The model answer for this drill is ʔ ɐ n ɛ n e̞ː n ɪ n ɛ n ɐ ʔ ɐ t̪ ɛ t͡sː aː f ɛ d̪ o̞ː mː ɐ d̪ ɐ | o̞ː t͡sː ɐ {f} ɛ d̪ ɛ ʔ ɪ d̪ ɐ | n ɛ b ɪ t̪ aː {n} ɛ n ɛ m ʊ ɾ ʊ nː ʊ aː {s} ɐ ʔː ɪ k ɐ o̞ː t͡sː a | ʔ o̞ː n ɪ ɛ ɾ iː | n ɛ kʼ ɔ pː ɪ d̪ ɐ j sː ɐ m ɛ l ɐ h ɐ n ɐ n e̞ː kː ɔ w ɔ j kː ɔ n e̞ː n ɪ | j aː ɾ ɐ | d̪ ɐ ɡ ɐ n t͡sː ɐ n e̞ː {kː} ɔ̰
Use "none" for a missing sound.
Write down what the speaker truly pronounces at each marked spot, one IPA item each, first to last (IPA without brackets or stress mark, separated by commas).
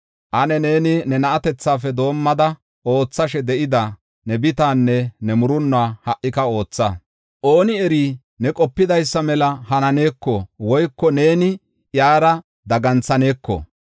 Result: ʃ, nː, h, kː